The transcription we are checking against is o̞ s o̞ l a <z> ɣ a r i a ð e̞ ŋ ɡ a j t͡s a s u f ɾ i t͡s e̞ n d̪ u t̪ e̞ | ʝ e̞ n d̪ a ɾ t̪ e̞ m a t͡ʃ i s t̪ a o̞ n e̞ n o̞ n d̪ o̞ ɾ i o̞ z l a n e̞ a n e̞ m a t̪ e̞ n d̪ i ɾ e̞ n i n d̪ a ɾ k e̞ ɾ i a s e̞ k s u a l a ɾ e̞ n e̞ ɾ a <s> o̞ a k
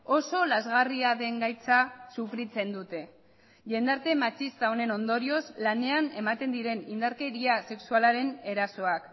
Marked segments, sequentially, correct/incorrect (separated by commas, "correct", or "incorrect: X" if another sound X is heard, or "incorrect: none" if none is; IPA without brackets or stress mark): correct, correct